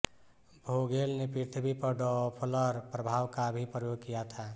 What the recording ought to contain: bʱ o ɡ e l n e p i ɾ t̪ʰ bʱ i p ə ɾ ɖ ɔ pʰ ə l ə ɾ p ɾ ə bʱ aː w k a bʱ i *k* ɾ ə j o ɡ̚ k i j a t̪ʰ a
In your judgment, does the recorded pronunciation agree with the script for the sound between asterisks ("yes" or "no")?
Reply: no